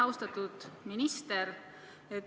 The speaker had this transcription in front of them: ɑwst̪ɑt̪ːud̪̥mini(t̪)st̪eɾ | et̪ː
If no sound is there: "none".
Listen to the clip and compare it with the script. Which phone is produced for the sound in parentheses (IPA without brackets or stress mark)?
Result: none